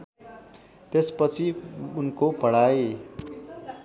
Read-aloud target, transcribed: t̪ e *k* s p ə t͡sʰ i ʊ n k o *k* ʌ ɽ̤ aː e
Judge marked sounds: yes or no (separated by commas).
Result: no, no